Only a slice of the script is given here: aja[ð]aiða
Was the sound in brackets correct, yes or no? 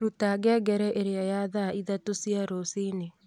yes